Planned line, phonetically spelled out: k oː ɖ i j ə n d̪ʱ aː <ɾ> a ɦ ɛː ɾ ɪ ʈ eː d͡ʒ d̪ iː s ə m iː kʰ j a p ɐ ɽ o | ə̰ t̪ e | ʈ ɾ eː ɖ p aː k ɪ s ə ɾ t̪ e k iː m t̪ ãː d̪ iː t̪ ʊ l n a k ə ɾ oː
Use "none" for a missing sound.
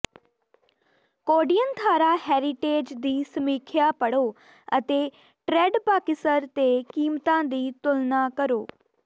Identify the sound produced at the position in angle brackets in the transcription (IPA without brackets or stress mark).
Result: ɾ